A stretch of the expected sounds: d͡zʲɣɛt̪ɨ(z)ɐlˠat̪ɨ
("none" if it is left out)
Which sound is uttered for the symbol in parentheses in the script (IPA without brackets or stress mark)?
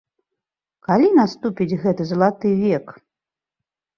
z